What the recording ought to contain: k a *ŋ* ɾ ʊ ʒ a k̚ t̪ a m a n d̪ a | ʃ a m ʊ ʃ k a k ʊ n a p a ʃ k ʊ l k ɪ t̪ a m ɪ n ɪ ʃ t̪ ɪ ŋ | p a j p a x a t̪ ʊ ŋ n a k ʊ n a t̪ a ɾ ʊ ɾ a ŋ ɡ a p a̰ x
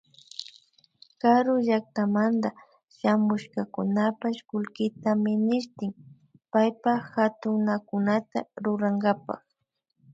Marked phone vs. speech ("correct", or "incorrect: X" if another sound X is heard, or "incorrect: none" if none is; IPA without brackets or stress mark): incorrect: none